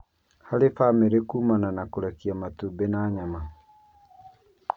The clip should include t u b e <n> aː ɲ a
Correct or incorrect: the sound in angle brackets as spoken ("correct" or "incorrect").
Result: correct